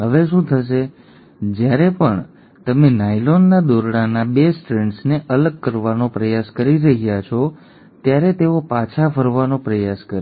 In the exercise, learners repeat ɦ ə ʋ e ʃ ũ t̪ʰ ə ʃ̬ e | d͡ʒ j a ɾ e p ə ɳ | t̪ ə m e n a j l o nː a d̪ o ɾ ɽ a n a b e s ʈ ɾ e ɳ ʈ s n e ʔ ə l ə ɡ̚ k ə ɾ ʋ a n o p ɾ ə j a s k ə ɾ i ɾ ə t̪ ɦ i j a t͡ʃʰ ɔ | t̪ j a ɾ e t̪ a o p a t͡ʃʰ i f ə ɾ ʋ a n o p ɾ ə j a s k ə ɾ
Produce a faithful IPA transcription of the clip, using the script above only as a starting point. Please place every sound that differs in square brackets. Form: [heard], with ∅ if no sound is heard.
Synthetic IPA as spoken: ɦ ə ʋ e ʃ ũ t̪ʰ ə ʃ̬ e | d͡ʒ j a ɾ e p ə ɳ | t̪ ə m e n a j l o nː a d̪ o ɾ ɽ a n a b e s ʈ ɾ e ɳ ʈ s n e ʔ ə l ə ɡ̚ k ə ɾ ʋ a n o p ɾ ə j a s k ə ɾ i ɾ ə [∅] ɦ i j a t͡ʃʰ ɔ | t̪ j a ɾ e t̪ [e] o p a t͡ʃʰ [a] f ə ɾ ʋ a n o p ɾ ə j a s k ə ɾ